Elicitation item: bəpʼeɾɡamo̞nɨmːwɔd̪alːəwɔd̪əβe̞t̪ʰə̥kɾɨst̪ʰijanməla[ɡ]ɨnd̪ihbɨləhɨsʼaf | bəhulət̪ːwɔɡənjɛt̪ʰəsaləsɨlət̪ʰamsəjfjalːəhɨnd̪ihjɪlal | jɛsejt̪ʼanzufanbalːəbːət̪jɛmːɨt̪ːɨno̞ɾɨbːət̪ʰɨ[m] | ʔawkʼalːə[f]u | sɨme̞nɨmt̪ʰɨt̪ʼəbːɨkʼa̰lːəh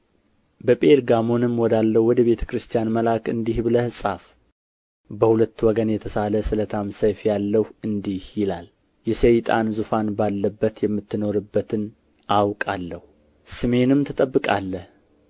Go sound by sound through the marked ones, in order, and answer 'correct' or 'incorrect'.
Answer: incorrect, incorrect, incorrect

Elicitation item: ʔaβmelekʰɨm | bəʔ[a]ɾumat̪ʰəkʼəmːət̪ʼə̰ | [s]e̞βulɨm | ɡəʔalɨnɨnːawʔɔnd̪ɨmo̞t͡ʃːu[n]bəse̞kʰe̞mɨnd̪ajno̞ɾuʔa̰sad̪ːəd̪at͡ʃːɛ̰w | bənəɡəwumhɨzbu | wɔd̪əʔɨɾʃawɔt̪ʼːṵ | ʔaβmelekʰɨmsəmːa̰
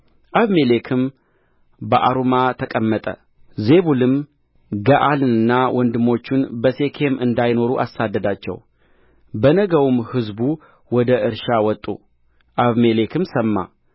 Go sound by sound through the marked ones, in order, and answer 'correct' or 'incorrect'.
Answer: correct, incorrect, correct

